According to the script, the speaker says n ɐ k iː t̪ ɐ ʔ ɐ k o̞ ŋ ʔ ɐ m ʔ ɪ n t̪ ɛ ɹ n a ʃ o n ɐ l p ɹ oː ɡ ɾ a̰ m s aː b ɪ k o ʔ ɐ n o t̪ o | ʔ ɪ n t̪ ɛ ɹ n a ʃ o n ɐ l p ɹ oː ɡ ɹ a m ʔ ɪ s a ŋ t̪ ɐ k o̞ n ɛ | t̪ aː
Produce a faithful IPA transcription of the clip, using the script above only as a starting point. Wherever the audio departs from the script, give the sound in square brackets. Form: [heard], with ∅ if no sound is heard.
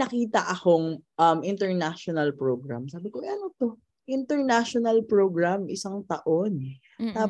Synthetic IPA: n ɐ k iː t̪ ɐ ʔ ɐ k o̞ ŋ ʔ ɐ m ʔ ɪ n t̪ ɛ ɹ n a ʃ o n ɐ l p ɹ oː ɡ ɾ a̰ m s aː b ɪ k o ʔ ɐ n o t̪ o | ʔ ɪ n t̪ ɛ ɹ n a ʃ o n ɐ l p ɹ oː ɡ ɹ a m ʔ ɪ s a ŋ t̪ ɐ [ʔ] o̞ n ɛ | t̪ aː